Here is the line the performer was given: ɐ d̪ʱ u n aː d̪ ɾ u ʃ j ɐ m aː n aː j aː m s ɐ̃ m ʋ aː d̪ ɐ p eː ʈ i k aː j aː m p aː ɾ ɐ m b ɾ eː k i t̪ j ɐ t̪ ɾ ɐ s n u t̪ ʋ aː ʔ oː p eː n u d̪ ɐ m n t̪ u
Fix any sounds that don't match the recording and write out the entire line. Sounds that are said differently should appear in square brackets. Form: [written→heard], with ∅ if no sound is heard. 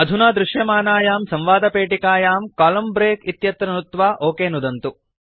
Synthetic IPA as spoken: ɐ d̪ʱ u n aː d̪ ɾ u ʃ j ɐ m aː n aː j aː m s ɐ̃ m ʋ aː d̪ ɐ p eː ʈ i k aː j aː m [p→k] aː [ɾ→l] ɐ m b ɾ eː k i t̪ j ɐ t̪ ɾ ɐ [s→∅] n u t̪ ʋ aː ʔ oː [p→k] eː n u d̪ ɐ [m→∅] n t̪ u

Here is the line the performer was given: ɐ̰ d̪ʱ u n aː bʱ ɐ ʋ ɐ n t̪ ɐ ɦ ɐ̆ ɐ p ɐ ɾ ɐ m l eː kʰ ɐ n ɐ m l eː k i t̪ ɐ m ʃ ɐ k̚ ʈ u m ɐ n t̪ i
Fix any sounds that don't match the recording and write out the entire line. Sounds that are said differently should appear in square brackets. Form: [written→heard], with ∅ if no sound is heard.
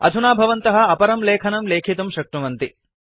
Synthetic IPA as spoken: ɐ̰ d̪ʱ u n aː bʱ ɐ ʋ ɐ n t̪ ɐ ɦ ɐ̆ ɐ p ɐ ɾ ɐ m l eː kʰ ɐ n ɐ m l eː [k→kʰ] i t̪ ɐ m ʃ ɐ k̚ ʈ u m ɐ n t̪ i

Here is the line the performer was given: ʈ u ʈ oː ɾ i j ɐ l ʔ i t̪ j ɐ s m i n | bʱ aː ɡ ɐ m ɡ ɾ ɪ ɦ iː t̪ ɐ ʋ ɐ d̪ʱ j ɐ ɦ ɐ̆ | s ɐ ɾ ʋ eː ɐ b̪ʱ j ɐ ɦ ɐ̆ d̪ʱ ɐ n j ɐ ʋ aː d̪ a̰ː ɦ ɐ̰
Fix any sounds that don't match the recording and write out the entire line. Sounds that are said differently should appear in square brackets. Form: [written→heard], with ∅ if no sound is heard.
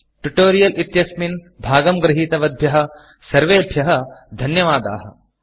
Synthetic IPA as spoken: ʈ u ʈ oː ɾ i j ɐ l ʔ i t̪ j ɐ s m i n | bʱ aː ɡ ɐ m ɡ ɾ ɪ ɦ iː t̪ ɐ ʋ ɐ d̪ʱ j ɐ ɦ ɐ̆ | s ɐ ɾ ʋ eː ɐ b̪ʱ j ɐ ɦ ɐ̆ d̪ʱ ɐ n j ɐ ʋ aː d̪ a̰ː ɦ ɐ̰

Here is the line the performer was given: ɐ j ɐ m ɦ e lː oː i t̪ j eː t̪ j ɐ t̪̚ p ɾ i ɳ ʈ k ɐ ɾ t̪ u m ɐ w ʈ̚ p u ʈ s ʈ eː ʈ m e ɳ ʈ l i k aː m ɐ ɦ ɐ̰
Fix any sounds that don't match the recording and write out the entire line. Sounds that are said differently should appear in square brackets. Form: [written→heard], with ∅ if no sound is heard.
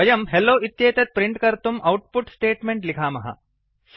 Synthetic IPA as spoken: ɐ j ɐ m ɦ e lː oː i t̪ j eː t̪ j ɐ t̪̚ p ɾ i ɳ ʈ k ɐ ɾ t̪ u m ɐ w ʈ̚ p u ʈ s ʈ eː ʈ m e ɳ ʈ l i [k→kʰ] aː m ɐ ɦ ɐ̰

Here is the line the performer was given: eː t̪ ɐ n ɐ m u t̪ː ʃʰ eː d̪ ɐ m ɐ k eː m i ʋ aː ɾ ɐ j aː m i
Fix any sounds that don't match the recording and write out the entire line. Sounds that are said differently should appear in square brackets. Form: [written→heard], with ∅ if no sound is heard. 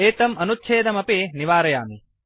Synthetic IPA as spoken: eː t̪ ɐ [n→m] ɐ [m→n] u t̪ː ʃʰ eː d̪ ɐ m ɐ [k→p] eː [m→n] i ʋ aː ɾ ɐ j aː m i

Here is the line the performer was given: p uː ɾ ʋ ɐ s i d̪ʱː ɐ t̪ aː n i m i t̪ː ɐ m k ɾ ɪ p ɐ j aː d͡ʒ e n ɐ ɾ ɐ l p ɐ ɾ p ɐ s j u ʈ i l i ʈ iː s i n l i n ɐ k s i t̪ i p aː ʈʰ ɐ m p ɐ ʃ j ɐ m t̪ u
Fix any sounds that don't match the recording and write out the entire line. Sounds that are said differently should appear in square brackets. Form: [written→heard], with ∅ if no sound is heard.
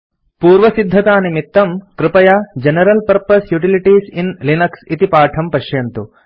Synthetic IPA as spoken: p uː ɾ ʋ ɐ s i d̪ʱː ɐ t̪ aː n i m i t̪ː ɐ m k ɾ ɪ p ɐ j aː d͡ʒ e n ɐ ɾ ɐ l p ɐ ɾ p ɐ s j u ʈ i l i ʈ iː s i n l i n ɐ k s i t̪ i p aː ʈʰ ɐ m p ɐ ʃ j ɐ [m→n] t̪ u

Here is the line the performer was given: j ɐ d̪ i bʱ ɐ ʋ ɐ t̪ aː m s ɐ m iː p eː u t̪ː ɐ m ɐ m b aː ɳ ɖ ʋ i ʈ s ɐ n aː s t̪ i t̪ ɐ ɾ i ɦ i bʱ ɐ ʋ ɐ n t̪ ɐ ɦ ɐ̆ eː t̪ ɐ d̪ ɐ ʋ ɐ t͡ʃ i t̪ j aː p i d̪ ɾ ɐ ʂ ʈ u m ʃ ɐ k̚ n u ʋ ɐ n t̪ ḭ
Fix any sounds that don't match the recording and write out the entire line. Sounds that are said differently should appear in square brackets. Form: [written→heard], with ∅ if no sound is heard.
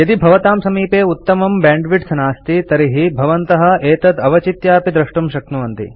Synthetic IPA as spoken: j ɐ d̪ i bʱ ɐ ʋ ɐ t̪ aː m s ɐ m iː p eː u t̪ː ɐ m ɐ m b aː ɳ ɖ ʋ i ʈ s ɐ n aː s t̪ i t̪ ɐ ɾ i ɦ i bʱ ɐ ʋ ɐ n t̪ ɐ ɦ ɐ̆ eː t̪ ɐ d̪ ɐ ʋ ɐ t͡ʃ i t̪ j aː p i d̪ ɾ ɐ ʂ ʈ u m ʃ ɐ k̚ n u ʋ ɐ n t̪ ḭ

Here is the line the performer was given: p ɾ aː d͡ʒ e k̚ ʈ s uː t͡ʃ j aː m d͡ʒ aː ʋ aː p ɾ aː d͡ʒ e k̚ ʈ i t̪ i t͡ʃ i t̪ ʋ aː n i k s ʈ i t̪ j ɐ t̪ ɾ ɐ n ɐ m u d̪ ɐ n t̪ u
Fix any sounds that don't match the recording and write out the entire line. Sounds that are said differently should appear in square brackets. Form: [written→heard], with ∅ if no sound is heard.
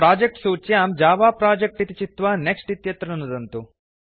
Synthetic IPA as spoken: p ɾ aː d͡ʒ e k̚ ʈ s uː t͡ʃ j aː m d͡ʒ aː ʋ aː p ɾ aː d͡ʒ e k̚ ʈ i t̪ i t͡ʃ i t̪ ʋ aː n [i→e] k s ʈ i t̪ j ɐ t̪ ɾ ɐ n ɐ [m→n] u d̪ ɐ n t̪ u

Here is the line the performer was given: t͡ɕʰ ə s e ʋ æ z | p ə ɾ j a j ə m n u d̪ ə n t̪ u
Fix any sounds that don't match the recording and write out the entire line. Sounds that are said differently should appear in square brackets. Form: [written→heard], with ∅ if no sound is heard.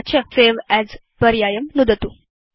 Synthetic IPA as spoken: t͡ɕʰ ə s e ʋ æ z | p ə ɾ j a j ə m n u d̪ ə [n→∅] t̪ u

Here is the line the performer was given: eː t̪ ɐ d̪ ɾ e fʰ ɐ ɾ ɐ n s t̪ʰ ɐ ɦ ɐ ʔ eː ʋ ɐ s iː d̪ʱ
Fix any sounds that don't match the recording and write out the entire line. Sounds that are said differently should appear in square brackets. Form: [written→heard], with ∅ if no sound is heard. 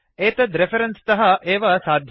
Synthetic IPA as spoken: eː t̪ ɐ d̪ ɾ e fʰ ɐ ɾ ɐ n s [t̪ʰ→t̪] ɐ ɦ ɐ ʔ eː ʋ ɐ s [iː→aː] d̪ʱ

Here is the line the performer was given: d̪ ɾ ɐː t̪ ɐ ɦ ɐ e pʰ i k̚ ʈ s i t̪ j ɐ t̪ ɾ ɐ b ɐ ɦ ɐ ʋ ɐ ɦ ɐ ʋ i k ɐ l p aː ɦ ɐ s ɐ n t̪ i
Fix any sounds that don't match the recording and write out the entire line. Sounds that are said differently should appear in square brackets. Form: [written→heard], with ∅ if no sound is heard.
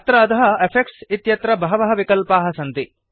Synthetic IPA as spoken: [d̪→t̪] ɾ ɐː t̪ ɐ ɦ ɐ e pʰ [i→e] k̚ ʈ s i t̪ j ɐ t̪ ɾ ɐ b ɐ ɦ ɐ ʋ ɐ ɦ ɐ ʋ i k ɐ l p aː ɦ ɐ s ɐ n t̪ i

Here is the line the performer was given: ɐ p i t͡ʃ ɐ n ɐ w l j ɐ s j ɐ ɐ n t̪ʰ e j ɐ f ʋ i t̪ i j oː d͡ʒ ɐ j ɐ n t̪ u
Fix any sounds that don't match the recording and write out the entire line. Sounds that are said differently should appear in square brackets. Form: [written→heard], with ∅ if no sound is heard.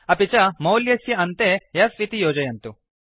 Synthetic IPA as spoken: ɐ p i t͡ʃ ɐ [n→m] ɐ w l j ɐ s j ɐ ɐ n [t̪ʰ→t̪] e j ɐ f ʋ i t̪ i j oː d͡ʒ ɐ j ɐ n t̪ u

